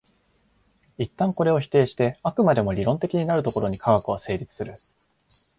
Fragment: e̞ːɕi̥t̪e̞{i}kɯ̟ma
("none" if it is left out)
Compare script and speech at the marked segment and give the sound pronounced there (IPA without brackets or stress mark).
a